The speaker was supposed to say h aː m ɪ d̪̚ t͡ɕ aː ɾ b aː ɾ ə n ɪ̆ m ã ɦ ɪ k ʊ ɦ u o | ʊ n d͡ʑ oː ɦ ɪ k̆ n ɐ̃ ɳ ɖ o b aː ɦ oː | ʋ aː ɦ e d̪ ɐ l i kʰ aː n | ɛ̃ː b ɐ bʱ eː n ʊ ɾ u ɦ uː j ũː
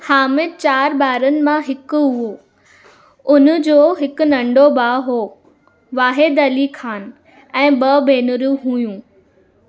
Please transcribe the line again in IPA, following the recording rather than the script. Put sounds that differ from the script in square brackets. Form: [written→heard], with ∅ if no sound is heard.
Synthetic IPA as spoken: h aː m ɪ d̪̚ t͡ɕ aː ɾ b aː ɾ ə n ɪ̆ m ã ɦ ɪ k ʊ ɦ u o | ʊ n d͡ʑ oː ɦ ɪ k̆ n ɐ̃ ɳ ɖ o b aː ɦ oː | ʋ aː ɦ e d̪ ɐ l i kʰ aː n | ɛ̃ː b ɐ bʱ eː n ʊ ɾ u ɦ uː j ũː